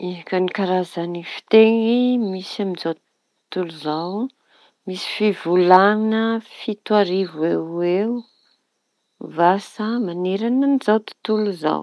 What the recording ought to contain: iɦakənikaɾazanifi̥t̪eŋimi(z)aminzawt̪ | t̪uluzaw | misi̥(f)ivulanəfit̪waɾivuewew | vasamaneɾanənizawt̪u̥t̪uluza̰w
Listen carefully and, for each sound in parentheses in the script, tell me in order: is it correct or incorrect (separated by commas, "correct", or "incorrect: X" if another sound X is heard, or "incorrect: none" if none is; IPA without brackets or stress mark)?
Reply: incorrect: s, correct